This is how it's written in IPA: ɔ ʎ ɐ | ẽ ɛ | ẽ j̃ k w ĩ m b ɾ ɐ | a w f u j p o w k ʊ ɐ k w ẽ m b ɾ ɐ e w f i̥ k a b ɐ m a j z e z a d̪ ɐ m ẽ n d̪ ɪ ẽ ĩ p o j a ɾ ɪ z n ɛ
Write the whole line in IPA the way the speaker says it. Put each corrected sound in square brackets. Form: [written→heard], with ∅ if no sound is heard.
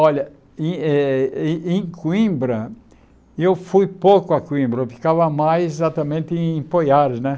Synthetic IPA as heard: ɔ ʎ ɐ | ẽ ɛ | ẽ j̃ k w ĩ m b ɾ ɐ | [a→e] w f u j p o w k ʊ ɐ k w [ẽ→ĩ] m b ɾ ɐ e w f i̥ k a [b→v] ɐ m a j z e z a [d̪→t̪] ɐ m ẽ n [d̪→t̪] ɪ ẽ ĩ p o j a ɾ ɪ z n ɛ